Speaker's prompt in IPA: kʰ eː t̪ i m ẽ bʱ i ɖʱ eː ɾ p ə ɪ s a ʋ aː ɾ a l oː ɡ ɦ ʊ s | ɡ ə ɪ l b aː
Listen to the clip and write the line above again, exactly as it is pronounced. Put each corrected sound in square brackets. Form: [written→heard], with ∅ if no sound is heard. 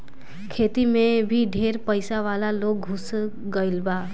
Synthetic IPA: kʰ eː t̪ i m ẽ bʱ i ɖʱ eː ɾ p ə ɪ s a ʋ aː [ɾ→l] a l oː ɡ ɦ ʊ s | ɡ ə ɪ l b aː